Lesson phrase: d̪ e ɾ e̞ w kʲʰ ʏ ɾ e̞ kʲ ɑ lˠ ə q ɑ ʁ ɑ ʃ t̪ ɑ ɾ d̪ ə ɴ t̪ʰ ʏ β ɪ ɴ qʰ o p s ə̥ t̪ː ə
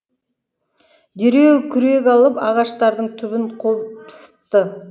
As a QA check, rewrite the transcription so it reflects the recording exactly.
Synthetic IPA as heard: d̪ e ɾ e̞ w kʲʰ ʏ ɾ e̞ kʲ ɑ lˠ ə p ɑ ʁ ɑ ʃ t̪ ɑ ɾ d̪ ə ɴ t̪ʰ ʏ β ɪ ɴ qʰ o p s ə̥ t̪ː ə